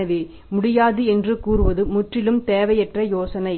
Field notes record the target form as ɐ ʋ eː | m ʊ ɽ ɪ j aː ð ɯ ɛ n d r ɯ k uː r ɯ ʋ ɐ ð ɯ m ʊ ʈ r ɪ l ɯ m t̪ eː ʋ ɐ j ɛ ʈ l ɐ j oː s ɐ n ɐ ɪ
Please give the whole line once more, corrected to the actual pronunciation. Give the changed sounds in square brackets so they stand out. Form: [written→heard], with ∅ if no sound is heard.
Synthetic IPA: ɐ ʋ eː | m ʊ ɽ ɪ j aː ð ɯ ɛ n d r ɯ k uː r ɯ ʋ ɐ ð ɯ m ʊ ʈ r ɪ l ɯ m t̪ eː ʋ ɐ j ɛ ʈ [l→r] ɐ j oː s ɐ n ɐ ɪ